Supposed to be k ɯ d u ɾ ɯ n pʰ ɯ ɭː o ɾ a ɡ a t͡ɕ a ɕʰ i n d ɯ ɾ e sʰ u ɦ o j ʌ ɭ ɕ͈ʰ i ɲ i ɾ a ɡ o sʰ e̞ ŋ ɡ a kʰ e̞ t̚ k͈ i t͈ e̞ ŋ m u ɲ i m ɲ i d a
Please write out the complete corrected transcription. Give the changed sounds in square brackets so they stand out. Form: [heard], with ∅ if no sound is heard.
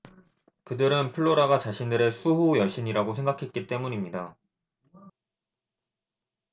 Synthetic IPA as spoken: k ɯ d [ɯ] ɾ ɯ n pʰ ɯ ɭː o ɾ a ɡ a t͡ɕ a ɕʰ i n d ɯ ɾ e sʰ u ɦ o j ʌ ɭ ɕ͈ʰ i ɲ i ɾ a ɡ o sʰ e̞ ŋ ɡ a kʰ e̞ t̚ k͈ i t͈ e̞ [∅] m u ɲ i m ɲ i d a